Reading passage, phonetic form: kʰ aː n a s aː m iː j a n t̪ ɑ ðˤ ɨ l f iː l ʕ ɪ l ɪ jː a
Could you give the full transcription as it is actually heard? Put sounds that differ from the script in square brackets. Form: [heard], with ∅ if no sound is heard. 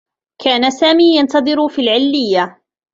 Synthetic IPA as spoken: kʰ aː n a s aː m iː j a n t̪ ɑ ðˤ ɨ [ɾ] f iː l ʕ ɪ [lː] ɪ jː a